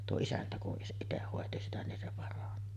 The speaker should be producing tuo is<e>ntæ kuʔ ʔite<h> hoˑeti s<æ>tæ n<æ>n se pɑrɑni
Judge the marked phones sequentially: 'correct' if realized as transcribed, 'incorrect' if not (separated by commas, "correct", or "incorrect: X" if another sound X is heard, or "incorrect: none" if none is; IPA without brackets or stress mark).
incorrect: æ, correct, incorrect: i, incorrect: i